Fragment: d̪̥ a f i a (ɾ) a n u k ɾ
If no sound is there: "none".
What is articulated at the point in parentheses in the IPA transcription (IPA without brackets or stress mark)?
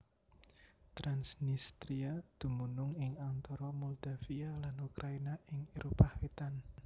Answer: l